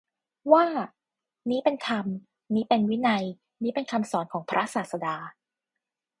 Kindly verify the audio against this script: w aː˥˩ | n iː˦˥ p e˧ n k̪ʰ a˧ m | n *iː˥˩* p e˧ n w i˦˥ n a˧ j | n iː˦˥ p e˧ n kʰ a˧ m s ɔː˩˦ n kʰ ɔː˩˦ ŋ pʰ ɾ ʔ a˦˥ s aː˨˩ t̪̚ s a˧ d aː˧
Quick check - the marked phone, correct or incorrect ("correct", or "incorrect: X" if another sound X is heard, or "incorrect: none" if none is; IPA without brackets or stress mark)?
incorrect: iː˦˥